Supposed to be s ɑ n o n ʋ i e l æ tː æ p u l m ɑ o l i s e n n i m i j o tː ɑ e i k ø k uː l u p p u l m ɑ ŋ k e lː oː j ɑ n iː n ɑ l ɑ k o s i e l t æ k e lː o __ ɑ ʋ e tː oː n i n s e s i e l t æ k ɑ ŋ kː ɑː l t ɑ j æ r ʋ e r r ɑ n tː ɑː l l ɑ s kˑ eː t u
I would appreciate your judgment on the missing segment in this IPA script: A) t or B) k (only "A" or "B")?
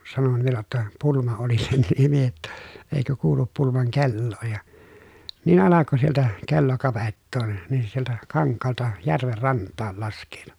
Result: B